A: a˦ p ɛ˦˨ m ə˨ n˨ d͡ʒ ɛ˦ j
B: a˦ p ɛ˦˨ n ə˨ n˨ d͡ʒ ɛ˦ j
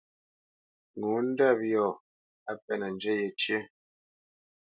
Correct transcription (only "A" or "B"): B